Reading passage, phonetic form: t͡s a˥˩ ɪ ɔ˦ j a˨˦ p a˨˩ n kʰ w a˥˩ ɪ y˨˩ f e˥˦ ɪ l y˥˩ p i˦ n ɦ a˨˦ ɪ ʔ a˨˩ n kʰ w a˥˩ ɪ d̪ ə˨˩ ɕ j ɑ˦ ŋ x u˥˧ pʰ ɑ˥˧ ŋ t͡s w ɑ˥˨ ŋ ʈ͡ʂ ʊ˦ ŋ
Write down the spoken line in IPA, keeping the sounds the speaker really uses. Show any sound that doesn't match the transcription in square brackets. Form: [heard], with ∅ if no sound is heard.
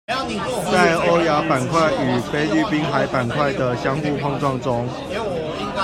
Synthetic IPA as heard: t͡s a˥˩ ɪ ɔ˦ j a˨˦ p a˨˩ n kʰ w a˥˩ ɪ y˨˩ f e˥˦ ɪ l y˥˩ p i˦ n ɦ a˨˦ ɪ [p] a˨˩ n kʰ w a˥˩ ɪ d̪ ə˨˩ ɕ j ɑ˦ ŋ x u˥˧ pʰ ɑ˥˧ ŋ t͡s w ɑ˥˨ ŋ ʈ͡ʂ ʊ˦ ŋ